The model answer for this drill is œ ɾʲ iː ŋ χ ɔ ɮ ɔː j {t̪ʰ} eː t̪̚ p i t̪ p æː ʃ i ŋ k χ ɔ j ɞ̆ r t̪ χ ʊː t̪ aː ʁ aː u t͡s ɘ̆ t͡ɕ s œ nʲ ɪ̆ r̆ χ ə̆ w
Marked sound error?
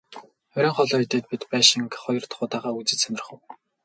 yes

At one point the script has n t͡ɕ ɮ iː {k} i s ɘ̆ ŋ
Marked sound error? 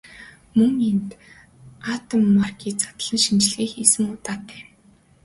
yes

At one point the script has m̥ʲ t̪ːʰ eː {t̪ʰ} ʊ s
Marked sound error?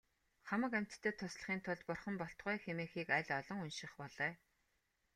no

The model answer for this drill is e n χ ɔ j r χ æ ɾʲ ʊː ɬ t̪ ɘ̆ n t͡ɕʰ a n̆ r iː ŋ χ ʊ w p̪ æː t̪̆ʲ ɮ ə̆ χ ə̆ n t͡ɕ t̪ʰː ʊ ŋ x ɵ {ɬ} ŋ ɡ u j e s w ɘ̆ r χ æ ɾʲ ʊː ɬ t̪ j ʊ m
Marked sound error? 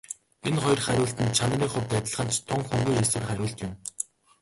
yes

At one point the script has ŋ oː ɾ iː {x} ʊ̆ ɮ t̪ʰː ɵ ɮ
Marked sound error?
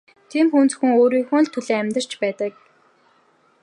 no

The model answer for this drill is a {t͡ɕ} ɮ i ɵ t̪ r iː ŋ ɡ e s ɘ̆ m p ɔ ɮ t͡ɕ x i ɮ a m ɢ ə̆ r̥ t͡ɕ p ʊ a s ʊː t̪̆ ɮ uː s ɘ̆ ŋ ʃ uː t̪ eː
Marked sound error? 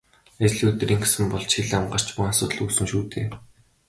no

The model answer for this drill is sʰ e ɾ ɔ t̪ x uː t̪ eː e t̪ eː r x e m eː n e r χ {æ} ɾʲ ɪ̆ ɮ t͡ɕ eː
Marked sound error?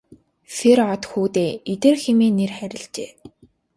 no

